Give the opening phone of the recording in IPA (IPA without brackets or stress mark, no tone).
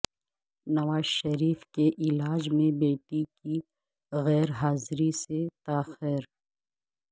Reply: n